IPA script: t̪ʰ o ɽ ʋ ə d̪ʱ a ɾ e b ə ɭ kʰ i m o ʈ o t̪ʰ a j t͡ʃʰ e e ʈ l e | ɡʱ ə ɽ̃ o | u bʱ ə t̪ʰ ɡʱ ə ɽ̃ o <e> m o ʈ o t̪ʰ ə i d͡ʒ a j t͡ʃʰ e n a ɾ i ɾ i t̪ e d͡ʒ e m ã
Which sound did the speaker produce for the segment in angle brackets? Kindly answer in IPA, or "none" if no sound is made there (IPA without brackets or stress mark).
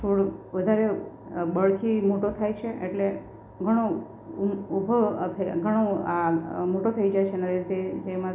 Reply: a